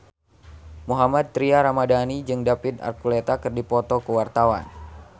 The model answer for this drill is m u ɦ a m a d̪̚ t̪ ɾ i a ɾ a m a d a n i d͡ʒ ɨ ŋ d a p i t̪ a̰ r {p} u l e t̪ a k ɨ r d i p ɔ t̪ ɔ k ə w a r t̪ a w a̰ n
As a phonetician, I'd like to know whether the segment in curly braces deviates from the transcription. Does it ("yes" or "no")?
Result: yes